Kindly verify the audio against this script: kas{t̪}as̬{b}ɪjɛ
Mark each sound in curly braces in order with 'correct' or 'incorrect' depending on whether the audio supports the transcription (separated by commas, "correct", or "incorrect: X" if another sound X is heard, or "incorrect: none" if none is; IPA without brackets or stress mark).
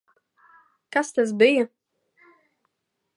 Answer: correct, correct